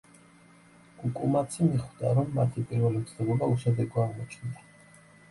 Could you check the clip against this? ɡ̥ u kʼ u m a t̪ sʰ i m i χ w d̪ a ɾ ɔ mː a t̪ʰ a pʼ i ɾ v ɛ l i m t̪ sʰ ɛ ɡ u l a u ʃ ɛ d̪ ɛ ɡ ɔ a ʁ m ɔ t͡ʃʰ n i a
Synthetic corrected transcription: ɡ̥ u kʼ u m a t̪ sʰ i m i χ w d̪ a ɾ ɔ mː a t̪ʰ i pʼ i ɾ v ɛ l i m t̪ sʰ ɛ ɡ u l a u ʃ ɛ d̪ ɛ ɡ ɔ a ʁ m ɔ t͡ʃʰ n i a